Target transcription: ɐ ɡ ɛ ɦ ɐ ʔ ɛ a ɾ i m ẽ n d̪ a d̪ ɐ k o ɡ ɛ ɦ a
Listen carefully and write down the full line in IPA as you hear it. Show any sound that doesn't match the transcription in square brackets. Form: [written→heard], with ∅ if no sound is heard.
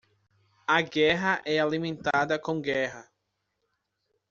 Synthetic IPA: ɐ ɡ ɛ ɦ ɐ ʔ ɛ a [ɾ→l] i m ẽ n [d̪→t̪] a d̪ ɐ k [o→õ] ɡ ɛ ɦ [a→ɐ]